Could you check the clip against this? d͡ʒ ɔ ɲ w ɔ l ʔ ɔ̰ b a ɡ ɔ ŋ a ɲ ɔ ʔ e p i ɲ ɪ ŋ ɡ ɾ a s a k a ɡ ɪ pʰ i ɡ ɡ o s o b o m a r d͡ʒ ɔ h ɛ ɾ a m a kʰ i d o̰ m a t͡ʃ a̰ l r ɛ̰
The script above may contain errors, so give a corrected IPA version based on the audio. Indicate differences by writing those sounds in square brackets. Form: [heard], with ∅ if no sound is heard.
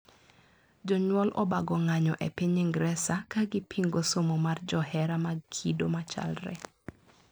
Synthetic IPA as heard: d͡ʒ ɔ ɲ w ɔ l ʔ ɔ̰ b a ɡ ɔ ŋ a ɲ ɔ ʔ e p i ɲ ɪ ŋ ɡ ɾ [ɛ] s a k a ɡ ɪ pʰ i [ŋ] ɡ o s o [m] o m a r d͡ʒ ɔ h ɛ ɾ a m a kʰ i d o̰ m a t͡ʃ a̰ l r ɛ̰